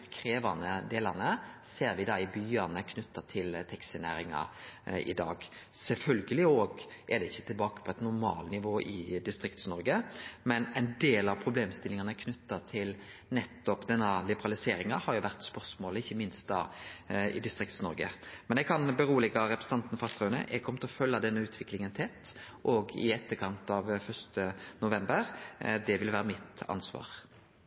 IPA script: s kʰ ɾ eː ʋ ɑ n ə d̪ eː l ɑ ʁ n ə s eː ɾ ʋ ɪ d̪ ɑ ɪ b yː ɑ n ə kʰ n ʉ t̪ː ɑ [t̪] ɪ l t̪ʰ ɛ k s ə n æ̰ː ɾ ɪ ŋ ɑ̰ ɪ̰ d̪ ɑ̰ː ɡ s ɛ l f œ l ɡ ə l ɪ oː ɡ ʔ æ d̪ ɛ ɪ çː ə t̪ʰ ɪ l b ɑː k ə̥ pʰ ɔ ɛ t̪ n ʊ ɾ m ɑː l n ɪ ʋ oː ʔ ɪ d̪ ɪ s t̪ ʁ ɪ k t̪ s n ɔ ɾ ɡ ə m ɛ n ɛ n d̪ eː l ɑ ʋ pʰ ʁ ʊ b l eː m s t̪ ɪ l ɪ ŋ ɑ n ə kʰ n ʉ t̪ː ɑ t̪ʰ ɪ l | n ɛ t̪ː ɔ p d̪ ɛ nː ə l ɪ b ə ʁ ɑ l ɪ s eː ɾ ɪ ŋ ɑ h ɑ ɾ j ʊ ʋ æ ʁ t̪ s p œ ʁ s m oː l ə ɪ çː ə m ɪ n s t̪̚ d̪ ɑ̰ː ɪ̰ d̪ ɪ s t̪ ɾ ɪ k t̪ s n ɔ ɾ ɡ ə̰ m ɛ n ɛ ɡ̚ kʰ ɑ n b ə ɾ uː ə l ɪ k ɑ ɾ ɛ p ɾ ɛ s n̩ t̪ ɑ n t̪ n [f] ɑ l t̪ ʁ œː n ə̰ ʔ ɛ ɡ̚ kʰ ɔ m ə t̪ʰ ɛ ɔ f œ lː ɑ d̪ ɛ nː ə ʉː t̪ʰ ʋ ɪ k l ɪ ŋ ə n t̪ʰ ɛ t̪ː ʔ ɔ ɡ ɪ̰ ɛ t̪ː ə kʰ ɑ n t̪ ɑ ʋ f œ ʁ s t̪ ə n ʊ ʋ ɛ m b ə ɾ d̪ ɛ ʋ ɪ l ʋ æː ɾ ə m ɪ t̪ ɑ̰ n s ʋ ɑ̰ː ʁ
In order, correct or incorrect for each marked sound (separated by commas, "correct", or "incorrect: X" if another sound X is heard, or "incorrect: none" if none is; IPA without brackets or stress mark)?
incorrect: t̪ʰ, correct